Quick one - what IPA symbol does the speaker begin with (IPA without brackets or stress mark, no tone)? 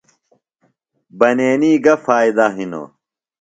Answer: b